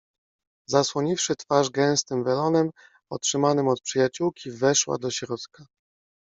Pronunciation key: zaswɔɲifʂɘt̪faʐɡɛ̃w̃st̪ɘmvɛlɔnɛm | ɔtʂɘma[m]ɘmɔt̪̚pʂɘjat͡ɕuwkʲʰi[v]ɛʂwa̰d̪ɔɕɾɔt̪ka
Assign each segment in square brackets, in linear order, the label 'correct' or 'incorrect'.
incorrect: n, correct

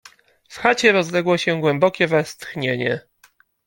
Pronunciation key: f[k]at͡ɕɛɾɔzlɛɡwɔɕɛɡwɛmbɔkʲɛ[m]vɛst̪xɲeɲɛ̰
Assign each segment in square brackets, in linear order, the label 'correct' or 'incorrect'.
incorrect: x, incorrect: none

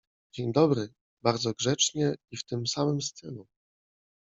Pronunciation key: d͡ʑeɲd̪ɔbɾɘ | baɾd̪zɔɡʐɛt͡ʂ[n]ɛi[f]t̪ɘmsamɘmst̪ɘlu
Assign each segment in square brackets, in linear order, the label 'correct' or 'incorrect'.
incorrect: ɲ, correct

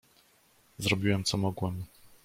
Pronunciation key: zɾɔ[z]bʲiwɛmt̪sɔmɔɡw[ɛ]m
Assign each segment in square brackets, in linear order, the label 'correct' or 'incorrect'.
incorrect: none, correct

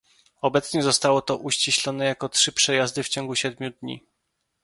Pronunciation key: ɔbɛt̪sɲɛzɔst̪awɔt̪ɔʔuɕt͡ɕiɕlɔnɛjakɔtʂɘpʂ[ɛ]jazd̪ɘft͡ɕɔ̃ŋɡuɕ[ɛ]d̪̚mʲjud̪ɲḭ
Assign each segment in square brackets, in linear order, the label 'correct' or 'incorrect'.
correct, correct

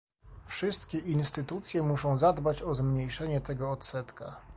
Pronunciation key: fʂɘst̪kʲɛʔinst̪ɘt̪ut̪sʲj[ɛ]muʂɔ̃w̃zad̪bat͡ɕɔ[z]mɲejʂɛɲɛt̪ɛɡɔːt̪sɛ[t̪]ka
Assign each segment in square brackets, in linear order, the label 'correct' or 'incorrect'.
correct, correct, correct

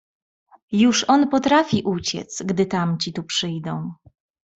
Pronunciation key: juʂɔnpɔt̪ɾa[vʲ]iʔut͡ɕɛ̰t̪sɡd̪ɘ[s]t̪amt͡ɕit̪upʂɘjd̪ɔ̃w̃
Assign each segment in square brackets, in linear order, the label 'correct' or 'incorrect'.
incorrect: fʲ, incorrect: none

